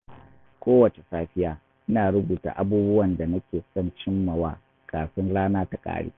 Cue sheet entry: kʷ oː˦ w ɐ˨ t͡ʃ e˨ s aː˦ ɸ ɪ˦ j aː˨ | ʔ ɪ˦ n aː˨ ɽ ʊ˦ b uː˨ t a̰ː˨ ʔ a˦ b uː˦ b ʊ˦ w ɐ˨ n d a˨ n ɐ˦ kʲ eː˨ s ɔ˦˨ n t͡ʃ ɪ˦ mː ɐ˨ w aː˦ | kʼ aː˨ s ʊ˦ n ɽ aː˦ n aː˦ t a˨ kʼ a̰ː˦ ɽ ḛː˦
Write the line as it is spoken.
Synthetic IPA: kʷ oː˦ w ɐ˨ t͡ʃ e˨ s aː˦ ɸ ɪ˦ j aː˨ | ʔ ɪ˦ n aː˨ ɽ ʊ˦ b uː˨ t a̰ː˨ ʔ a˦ b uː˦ b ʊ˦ w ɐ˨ n d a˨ n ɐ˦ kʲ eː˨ s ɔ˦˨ n t͡ʃ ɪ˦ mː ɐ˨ w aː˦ | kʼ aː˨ s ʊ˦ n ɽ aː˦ n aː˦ t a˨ kʼ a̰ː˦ ɽ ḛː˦

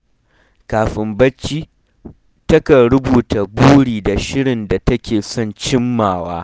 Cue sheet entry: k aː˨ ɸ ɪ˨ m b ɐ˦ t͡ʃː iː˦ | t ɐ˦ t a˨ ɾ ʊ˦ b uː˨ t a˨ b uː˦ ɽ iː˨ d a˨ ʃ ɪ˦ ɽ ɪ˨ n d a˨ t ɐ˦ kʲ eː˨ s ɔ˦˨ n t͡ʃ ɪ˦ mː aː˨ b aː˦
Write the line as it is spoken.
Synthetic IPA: k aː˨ ɸ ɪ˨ m b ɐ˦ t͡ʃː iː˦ | t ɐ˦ k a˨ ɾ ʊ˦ b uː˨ t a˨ b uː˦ ɽ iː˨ d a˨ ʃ ɪ˦ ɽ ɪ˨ n d a˨ t ɐ˦ kʲ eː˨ s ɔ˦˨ n t͡ʃ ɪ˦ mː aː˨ w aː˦

